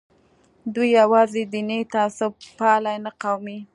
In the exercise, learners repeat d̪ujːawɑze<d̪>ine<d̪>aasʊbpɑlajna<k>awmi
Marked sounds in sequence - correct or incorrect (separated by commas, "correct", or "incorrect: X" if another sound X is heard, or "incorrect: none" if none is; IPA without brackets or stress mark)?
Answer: correct, incorrect: t̪, incorrect: q